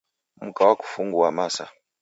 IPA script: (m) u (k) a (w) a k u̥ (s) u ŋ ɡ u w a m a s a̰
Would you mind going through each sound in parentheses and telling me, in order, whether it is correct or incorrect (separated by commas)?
correct, correct, correct, incorrect